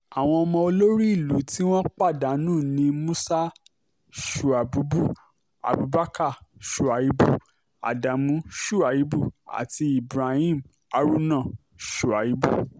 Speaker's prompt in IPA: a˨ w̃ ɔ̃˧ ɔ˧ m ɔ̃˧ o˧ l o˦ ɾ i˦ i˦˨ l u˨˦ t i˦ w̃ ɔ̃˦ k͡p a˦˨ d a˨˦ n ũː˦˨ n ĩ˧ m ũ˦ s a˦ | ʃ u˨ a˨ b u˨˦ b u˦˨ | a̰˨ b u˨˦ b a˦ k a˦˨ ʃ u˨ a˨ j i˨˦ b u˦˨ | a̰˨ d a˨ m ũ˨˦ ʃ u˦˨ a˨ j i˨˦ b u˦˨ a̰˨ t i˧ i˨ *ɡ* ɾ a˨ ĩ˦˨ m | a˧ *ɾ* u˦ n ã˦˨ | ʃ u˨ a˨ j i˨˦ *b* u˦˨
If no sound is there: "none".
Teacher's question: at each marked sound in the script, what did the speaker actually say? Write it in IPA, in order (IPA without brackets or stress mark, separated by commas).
b, ɾ, b